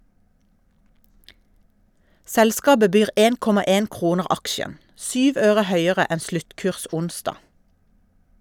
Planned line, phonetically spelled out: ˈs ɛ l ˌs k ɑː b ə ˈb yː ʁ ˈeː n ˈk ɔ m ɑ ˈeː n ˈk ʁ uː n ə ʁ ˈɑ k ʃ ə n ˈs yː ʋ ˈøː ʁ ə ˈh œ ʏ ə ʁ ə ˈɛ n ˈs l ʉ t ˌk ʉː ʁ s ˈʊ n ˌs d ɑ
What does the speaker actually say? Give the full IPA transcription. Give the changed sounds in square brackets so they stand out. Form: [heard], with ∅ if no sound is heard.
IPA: ˈs ɛ l ˌs k ɑː b ə ˈb yː ʁ ˈeː n ˈk ɔ m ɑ ˈeː n ˈk ʁ uː n ə ʁ ˈɑ k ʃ ə n ˈs yː ʋ ˈøː ʁ ə ˈh œ ʏ ə ʁ ə ˈɛ n ˈs l ʉ t ˌk ʉː ʁ s ˈʊ n ˌs d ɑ